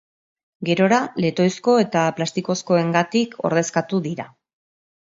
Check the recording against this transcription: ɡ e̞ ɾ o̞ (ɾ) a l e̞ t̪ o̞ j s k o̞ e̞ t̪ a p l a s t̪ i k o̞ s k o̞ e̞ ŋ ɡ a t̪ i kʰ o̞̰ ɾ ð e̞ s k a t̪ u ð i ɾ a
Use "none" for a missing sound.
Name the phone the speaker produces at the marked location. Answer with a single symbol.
ɾ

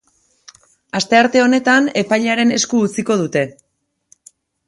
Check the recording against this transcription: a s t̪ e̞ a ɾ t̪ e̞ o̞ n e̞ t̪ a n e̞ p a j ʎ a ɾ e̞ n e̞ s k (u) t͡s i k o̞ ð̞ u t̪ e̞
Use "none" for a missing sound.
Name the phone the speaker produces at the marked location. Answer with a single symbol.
uː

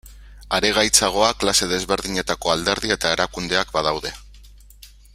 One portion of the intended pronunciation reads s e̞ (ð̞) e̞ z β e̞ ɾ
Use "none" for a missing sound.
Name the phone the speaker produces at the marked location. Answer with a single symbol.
ð̞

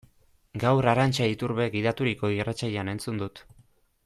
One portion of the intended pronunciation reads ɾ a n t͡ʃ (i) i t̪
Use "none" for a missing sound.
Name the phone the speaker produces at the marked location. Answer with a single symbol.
a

